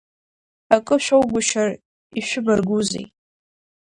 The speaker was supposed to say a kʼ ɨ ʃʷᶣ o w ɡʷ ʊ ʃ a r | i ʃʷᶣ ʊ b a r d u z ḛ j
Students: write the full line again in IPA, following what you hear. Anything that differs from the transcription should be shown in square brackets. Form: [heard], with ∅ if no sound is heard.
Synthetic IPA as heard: a kʼ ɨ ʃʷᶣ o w ɡʷ ʊ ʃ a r | i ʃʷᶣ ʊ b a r [ɡ] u z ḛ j